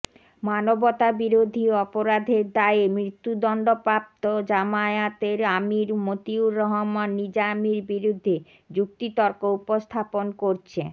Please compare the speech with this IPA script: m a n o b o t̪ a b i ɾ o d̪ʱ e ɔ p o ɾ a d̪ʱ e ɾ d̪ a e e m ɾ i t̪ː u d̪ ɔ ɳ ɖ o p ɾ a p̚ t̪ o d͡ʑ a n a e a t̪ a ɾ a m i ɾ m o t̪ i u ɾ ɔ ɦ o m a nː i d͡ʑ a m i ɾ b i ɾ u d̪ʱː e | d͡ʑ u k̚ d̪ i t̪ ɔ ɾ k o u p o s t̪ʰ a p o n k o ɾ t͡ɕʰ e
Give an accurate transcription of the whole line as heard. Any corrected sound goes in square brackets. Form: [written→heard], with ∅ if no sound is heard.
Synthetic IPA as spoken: m a n o b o t̪ a b i ɾ o d̪ʱ [e→i] ɔ p o ɾ a d̪ʱ e ɾ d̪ a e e m ɾ i t̪ː u d̪ ɔ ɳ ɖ o p ɾ a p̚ t̪ o d͡ʑ a [n→m] a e a t̪ [a→e] ɾ a m i ɾ m o t̪ i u ɾ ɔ ɦ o m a nː i d͡ʑ a m i ɾ b i ɾ u d̪ʱː e | d͡ʑ u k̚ [d̪→t̪] i t̪ ɔ ɾ k o u p o s t̪ʰ a p o n k o ɾ t͡ɕʰ e